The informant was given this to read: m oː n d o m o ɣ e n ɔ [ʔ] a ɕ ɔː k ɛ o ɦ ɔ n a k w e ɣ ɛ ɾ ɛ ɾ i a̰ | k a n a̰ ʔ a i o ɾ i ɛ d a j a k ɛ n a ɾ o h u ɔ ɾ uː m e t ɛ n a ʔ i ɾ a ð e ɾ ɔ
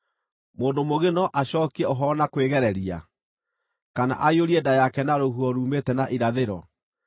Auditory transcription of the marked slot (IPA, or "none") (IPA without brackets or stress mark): ʔ